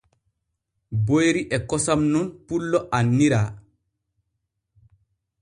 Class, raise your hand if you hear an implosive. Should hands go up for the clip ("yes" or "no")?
no